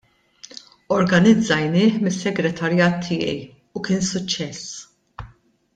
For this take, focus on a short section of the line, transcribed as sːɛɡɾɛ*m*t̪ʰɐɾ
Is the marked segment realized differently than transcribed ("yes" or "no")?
yes